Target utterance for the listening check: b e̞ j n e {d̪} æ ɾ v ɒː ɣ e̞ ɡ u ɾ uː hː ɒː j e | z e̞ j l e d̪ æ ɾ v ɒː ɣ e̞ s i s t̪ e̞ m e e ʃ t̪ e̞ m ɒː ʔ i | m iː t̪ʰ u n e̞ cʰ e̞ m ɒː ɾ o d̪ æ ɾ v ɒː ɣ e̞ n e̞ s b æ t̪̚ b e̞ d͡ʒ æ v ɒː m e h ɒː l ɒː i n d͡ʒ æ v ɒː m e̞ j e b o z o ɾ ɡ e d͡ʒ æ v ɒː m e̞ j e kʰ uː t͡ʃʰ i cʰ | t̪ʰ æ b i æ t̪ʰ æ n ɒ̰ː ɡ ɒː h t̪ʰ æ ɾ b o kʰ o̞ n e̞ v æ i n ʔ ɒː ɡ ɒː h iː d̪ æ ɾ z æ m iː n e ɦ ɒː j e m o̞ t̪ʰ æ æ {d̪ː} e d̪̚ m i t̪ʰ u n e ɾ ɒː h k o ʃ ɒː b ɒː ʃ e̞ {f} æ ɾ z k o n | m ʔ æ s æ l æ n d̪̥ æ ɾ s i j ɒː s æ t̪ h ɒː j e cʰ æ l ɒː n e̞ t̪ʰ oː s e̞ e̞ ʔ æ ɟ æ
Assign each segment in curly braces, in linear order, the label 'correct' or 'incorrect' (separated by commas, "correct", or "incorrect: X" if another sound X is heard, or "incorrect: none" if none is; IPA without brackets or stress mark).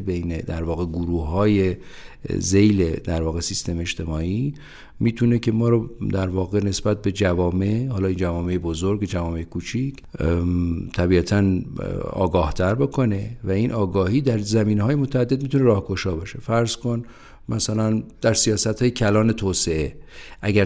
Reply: correct, correct, correct